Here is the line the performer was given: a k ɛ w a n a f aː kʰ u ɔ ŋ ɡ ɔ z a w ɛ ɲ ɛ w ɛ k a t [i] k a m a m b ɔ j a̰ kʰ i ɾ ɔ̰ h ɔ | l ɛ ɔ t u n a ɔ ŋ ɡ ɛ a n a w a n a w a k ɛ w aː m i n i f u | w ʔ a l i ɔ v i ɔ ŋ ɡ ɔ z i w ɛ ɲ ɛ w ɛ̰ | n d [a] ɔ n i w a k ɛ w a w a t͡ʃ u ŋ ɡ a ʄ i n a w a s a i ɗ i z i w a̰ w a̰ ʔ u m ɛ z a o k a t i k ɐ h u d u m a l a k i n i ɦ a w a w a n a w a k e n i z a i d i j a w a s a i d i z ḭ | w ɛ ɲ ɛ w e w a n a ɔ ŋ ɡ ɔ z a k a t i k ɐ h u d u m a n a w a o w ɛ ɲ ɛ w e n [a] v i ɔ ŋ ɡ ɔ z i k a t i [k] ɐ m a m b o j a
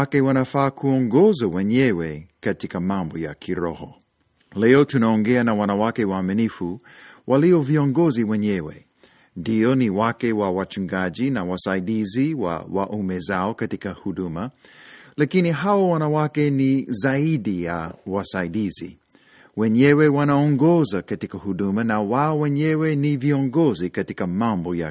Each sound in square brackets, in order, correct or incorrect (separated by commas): correct, incorrect, incorrect, correct